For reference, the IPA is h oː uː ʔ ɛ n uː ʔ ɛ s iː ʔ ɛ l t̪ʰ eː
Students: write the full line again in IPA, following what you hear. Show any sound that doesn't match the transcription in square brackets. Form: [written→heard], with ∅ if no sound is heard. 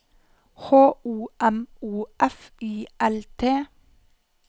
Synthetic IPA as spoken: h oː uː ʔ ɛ [n→m] uː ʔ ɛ [s→f] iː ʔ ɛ l t̪ʰ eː